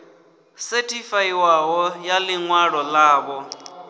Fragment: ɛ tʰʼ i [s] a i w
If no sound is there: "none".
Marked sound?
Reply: f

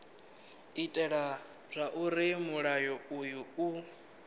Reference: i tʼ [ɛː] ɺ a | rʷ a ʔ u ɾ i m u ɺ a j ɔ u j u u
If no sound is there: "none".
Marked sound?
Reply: ɛ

